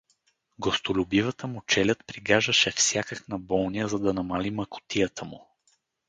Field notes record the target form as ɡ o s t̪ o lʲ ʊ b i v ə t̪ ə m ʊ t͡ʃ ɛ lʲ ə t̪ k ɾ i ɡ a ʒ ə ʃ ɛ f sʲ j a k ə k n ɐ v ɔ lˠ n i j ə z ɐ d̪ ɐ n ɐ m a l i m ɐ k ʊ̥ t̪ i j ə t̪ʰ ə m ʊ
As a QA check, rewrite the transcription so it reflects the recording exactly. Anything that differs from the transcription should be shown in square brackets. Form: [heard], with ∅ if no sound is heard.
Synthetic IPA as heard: ɡ o s t̪ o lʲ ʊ b i v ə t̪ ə m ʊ t͡ʃ ɛ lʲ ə t̪ [p] ɾ i ɡ a ʒ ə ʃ ɛ f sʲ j a k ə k n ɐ [b] ɔ lˠ n i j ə z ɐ d̪ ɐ n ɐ m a l i m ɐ k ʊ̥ t̪ i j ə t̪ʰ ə m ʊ